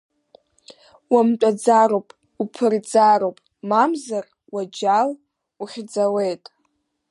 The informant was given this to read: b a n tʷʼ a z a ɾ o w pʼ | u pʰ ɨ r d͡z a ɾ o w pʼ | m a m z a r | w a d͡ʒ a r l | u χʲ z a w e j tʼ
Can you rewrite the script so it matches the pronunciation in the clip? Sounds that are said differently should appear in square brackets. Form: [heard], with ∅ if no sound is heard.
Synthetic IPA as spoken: [w] a [m] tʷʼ a [d͡z] a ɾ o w pʼ | u pʰ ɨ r d͡z a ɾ o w pʼ | m a m z a r | w a d͡ʒ a [∅] l | u χʲ [d͡z] a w e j tʼ